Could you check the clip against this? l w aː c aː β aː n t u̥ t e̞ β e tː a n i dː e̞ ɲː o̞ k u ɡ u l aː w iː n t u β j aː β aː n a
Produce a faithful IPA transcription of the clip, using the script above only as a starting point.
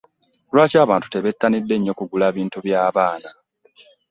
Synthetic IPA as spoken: l w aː c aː β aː n t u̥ t e̞ β e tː a n i dː e̞ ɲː o̞ k u ɡ u l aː β iː n t u β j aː β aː n a